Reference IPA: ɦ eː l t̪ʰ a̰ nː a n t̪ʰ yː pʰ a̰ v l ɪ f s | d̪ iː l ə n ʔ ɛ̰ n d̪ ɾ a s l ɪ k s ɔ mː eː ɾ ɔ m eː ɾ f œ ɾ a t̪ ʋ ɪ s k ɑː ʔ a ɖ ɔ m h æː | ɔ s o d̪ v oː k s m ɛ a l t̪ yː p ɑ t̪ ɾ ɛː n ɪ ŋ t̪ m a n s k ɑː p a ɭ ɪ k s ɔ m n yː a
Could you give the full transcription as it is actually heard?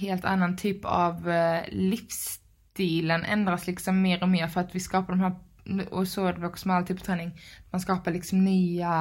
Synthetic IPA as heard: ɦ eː l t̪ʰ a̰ nː a n t̪ʰ yː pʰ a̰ v l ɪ f s | t̪ iː l ə n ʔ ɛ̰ n d̪ ɾ a s l ɪ k s ɔ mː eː ɾ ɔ m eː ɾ f œ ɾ a t̪ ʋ ɪ s k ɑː p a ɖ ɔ m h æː | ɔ s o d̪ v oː k s m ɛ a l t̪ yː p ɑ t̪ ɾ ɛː n ɪ ŋ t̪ m a n s k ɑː p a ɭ ɪ k s ɔ m n yː a